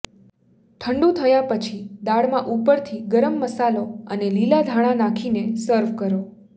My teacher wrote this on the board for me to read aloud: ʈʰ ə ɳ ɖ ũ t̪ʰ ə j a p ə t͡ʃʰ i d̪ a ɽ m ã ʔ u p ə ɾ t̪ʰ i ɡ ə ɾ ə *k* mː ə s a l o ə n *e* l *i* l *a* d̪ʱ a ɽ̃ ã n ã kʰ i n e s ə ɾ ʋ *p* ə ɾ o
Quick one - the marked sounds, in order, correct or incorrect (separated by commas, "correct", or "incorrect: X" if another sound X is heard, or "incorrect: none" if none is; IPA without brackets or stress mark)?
incorrect: none, correct, correct, correct, incorrect: k